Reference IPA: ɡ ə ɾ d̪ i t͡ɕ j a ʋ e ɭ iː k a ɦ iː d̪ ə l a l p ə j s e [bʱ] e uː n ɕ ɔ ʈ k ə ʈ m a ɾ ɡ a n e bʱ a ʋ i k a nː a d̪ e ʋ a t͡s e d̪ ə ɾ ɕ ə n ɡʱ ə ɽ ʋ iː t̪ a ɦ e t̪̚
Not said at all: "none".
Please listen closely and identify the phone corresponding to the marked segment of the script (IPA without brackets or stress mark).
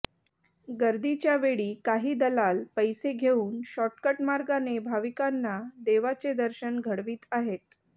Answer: ɡʱ